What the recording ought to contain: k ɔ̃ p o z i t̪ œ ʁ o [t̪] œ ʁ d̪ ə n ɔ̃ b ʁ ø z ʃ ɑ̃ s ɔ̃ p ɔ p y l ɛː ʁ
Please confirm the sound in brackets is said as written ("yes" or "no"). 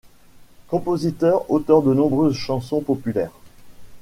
yes